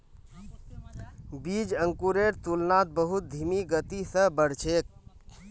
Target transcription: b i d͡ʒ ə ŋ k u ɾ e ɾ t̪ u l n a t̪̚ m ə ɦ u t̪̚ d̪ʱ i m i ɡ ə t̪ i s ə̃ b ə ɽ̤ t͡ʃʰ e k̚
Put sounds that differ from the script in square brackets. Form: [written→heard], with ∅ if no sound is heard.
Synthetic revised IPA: b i d͡ʒ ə ŋ k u ɾ e ɾ t̪ u l n a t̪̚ [m→b] ə ɦ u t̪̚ d̪ʱ i m i ɡ ə t̪ i s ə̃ b ə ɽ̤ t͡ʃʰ e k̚

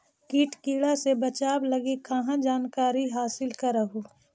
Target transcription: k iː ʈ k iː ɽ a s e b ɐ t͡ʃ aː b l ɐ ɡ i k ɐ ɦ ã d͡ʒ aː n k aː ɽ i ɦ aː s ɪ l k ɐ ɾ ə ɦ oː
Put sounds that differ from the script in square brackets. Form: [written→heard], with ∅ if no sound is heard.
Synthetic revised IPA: k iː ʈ k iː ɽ a s e b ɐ t͡ʃ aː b l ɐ ɡ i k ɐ ɦ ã d͡ʒ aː n k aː [ɽ→ɾ] i ɦ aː s ɪ l k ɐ ɾ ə ɦ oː

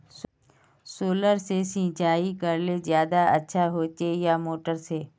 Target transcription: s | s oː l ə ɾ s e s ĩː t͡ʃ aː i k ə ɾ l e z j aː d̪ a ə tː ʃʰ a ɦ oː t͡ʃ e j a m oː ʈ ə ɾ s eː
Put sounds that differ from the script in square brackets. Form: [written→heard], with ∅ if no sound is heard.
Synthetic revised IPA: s | s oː l ə ɾ s e s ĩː t͡ʃ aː i k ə ɾ l e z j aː d̪ a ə tː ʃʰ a ɦ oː t͡ʃ e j a m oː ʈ ə ɾ s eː

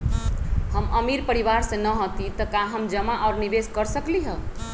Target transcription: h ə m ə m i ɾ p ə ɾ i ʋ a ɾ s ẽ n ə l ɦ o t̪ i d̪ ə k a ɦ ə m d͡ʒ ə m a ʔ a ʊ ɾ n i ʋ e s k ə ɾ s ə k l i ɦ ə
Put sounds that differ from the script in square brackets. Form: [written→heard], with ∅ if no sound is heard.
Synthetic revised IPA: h ə m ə m i ɾ p ə ɾ i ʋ a ɾ s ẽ n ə [l→∅] ɦ o t̪ i [d̪→t̪] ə k a ɦ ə m d͡ʒ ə m a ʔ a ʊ ɾ n i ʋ e s k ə ɾ s ə k l i ɦ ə

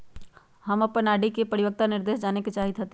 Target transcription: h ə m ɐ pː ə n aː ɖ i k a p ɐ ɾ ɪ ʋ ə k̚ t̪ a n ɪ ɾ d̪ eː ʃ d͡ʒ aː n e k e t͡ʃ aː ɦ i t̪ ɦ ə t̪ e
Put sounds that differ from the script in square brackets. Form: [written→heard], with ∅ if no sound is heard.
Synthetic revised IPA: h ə m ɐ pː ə n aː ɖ i k [a→e] p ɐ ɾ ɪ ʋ ə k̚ t̪ a n ɪ ɾ d̪ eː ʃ d͡ʒ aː n e k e t͡ʃ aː ɦ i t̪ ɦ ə t̪ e

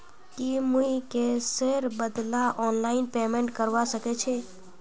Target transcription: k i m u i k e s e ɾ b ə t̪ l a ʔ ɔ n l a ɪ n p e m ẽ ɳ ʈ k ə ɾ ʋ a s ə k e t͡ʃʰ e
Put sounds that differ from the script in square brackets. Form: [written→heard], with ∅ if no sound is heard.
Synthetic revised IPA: k i m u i k e s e ɾ b ə [t̪→d̪] l a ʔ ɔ n l a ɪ n p e m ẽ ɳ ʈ k ə ɾ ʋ a s ə k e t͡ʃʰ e

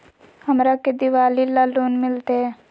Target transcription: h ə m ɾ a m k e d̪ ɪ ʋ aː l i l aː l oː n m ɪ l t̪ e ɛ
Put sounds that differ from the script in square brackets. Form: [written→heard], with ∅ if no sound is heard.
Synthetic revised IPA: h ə m ɾ a [m→∅] k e d̪ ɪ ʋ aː l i l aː l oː n m ɪ l t̪ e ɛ

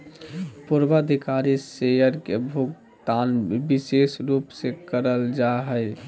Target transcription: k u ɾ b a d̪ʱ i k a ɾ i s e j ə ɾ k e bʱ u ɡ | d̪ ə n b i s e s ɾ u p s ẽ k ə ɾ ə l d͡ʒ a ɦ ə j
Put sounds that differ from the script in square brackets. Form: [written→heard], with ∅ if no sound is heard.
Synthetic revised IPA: [k→p] u ɾ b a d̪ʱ i k a ɾ i s e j ə ɾ k e bʱ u ɡ | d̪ [ə→a] n b i s e s ɾ u p s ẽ k ə ɾ ə l d͡ʒ a ɦ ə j

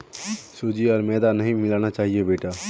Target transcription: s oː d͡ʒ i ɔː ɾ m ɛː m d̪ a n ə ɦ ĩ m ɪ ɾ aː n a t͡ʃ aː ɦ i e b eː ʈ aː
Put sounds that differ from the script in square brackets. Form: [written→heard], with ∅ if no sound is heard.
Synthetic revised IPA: s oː d͡ʒ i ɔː ɾ m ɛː [m→∅] d̪ a n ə ɦ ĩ m ɪ [ɾ→l] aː n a t͡ʃ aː ɦ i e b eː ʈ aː

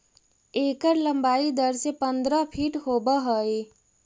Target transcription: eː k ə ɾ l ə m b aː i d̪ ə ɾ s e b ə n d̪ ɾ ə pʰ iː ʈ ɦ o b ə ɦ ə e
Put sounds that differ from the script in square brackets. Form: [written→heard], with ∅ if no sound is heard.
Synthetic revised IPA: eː k ə ɾ l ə m b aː i d̪ ə ɾ s e [b→p] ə n d̪ ɾ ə pʰ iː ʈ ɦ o b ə ɦ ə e

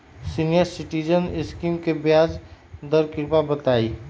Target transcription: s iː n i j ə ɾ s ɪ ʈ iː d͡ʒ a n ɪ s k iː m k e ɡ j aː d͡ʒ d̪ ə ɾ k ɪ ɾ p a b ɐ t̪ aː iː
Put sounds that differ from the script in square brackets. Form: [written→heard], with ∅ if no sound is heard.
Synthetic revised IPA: s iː n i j ə ɾ s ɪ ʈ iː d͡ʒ [a→ə] n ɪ s k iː m k e [ɡ→b] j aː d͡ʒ d̪ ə ɾ k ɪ ɾ p a b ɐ t̪ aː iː

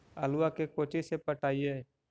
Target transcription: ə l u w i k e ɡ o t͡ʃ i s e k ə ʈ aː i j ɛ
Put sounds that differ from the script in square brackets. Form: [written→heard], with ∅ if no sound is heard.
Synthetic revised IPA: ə l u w [i→a] k e [ɡ→k] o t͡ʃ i s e [k→p] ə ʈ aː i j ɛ

